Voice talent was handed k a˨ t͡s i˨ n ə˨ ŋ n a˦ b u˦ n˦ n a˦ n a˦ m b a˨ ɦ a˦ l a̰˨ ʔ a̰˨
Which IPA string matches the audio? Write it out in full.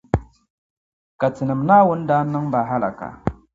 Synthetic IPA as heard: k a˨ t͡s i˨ n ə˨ m n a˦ w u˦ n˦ d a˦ n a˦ ŋ b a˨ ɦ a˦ l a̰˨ k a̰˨